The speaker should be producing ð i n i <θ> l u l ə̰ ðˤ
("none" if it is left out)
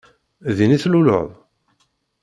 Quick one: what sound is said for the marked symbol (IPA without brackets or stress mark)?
θ